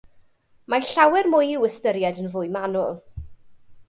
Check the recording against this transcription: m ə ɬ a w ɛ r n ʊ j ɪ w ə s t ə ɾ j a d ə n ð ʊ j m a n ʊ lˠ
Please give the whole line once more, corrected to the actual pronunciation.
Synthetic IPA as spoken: m a ɬ a w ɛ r m ʊ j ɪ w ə s t ə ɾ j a d ə n v ʊ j m a n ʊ lˠ

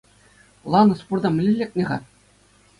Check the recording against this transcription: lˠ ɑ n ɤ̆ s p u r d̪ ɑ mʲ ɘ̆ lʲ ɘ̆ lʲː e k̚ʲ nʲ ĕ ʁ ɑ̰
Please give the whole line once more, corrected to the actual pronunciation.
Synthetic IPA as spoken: lˠ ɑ n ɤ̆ s p u r d̪ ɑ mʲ ɘ̆ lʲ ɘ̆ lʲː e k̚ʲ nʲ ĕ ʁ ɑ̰

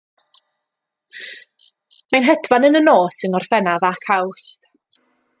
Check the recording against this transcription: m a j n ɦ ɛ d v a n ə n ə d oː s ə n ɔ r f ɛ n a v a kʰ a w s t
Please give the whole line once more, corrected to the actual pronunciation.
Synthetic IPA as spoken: m a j n ɦ ɛ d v a n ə n ə n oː s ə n ɔ r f ɛ n a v a kʰ a w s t

